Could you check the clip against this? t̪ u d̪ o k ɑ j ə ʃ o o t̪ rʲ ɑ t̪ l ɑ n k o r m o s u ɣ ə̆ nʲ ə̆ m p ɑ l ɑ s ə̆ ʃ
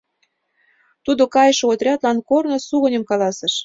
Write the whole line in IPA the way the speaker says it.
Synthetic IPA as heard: t̪ u d̪ o k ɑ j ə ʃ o o t̪ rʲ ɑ t̪ l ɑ n k o r n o s u ɣ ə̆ nʲ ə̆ m k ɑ l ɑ s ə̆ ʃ